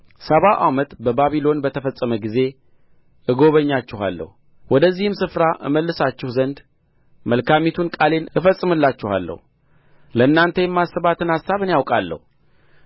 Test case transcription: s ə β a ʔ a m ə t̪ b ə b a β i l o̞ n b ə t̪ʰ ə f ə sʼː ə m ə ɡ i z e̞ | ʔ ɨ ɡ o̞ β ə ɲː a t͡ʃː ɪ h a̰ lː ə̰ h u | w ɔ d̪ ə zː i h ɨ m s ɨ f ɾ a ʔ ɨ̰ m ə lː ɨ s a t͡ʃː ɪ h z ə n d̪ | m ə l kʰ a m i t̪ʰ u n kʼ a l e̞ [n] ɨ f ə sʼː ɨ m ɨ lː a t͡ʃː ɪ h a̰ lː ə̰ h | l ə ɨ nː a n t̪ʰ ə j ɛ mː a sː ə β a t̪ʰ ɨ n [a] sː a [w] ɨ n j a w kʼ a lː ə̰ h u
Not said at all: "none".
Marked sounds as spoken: n, a, β

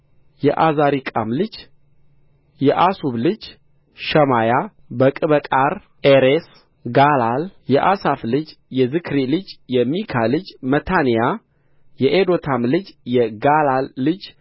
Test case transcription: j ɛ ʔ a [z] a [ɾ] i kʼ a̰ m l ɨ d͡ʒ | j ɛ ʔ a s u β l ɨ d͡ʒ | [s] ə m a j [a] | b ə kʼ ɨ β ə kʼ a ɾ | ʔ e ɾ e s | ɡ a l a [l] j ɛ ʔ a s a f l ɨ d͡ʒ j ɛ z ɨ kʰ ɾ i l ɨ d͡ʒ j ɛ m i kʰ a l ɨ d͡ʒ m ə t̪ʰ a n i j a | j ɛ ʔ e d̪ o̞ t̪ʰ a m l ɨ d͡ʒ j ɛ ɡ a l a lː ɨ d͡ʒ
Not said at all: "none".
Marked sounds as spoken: z, ɾ, ʃ, a, l

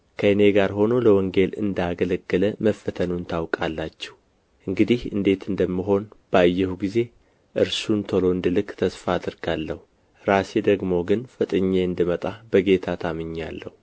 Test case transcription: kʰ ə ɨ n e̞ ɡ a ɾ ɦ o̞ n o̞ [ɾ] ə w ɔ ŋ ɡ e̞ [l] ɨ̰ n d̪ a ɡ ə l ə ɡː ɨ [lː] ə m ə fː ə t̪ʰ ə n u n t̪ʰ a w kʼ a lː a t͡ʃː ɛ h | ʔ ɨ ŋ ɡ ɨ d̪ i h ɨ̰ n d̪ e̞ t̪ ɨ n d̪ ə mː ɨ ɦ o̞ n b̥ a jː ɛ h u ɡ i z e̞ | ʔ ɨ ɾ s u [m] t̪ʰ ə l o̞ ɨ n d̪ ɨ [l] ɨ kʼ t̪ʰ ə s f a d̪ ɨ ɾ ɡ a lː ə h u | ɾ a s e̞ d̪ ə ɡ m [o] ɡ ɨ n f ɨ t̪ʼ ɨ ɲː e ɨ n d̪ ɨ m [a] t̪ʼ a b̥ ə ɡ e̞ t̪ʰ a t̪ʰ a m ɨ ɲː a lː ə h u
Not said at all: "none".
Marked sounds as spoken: l, l, l, n, l, o, ə

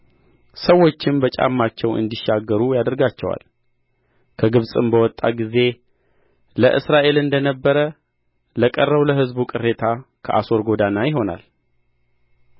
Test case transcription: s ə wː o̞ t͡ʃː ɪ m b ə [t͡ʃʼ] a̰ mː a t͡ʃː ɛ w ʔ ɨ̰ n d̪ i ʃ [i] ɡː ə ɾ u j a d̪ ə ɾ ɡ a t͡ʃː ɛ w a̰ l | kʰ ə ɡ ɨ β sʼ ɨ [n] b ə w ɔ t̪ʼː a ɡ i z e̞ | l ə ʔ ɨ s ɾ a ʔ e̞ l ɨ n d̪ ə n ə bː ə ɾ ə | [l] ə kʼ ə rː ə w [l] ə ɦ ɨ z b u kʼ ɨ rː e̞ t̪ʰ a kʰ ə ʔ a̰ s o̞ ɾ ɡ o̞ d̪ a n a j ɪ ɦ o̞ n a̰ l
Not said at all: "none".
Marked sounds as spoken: t͡ʃʼ, a, m, l, l

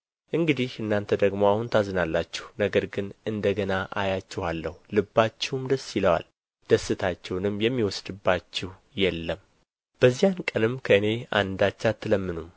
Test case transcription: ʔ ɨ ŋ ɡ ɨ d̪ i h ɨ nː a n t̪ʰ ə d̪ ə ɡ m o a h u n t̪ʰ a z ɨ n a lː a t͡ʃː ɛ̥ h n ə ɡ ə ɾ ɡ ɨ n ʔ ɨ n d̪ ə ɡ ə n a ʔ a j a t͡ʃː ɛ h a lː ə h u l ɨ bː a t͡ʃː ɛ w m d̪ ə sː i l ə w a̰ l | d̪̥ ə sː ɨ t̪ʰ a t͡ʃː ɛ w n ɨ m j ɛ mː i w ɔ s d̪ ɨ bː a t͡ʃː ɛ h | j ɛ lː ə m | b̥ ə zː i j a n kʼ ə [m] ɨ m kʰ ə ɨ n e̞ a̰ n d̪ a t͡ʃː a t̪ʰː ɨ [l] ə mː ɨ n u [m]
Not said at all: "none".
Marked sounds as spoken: n, l, m

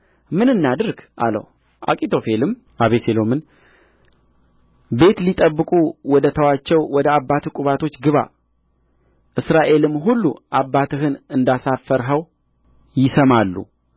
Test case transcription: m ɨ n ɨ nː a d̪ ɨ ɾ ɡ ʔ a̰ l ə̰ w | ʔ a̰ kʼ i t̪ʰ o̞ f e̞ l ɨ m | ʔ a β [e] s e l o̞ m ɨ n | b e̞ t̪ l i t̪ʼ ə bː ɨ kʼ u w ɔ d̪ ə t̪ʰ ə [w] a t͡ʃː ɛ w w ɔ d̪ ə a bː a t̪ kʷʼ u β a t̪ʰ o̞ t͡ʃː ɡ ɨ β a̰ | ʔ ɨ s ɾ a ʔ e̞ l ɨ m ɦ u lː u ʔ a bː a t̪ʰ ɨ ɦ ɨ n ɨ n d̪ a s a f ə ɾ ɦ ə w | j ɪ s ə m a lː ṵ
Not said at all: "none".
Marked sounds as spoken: e, w

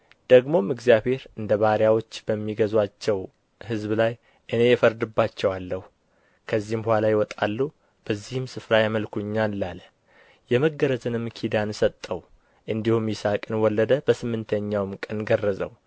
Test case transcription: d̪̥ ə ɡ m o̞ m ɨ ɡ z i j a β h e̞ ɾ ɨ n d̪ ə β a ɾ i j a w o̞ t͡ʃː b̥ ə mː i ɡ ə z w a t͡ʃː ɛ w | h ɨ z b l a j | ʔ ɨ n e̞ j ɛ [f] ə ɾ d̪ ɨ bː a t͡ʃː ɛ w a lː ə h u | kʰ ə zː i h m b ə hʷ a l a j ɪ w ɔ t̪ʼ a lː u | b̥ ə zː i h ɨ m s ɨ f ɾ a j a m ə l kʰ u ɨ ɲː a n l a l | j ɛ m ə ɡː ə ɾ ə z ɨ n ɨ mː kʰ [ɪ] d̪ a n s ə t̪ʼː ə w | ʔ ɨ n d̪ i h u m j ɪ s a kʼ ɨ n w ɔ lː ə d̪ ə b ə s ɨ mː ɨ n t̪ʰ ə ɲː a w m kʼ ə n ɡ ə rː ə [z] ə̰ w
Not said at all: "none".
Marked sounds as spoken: f, i, z

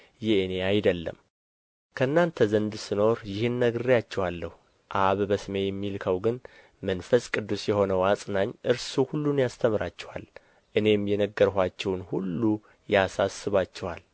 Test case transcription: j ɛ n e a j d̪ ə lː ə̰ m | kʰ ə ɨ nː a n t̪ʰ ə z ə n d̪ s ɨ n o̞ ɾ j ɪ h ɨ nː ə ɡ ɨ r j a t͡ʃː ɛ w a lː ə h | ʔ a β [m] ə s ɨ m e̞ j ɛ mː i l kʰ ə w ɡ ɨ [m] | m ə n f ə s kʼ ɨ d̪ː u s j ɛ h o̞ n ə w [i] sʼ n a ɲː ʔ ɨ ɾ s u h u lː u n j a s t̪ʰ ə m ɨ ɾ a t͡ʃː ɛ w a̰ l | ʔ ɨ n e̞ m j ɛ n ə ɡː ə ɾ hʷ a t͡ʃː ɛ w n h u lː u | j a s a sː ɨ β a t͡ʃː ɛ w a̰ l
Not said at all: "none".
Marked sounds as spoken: b, n, a

